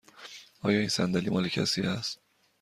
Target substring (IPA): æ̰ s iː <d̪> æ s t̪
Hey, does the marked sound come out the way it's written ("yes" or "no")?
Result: no